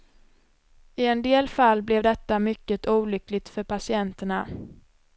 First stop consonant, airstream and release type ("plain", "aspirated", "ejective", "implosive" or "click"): plain